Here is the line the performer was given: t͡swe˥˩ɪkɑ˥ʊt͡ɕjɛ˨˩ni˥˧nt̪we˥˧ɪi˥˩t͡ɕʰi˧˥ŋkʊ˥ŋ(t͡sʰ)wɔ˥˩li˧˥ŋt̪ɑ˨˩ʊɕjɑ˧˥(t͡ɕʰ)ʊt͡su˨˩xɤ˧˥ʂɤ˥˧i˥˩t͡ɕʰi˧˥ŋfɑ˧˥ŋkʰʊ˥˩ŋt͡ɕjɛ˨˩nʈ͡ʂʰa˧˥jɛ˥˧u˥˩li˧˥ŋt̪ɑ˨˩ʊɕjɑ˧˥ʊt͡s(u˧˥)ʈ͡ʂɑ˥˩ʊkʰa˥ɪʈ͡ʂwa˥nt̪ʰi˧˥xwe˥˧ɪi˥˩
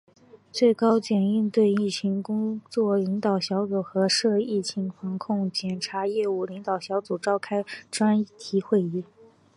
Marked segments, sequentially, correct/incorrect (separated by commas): incorrect, incorrect, incorrect